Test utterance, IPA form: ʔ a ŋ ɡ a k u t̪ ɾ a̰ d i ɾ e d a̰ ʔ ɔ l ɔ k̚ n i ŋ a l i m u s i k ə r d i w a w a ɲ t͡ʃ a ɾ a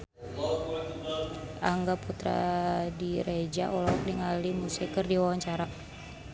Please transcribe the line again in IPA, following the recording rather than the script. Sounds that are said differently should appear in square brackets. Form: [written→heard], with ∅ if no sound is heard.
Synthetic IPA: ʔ a ŋ ɡ a [k→p] u t̪ ɾ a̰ d i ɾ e [d→d͡ʒ] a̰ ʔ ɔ l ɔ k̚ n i ŋ a l i m u s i k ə r d i w a w a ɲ t͡ʃ a ɾ a